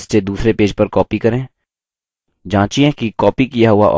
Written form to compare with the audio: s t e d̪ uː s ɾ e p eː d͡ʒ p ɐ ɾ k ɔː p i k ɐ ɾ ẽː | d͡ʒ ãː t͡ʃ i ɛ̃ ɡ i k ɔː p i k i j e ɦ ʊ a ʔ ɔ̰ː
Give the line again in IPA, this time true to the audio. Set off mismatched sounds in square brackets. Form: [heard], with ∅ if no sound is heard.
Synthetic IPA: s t e d̪ uː s ɾ e p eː d͡ʒ p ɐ ɾ k ɔː p i k ɐ ɾ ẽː | d͡ʒ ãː t͡ʃ i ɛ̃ [k] i k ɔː p i k i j [a] ɦ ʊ a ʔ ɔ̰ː